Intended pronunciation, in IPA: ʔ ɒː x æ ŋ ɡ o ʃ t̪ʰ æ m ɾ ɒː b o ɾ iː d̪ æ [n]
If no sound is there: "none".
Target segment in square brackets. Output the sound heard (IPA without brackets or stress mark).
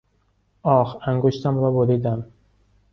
m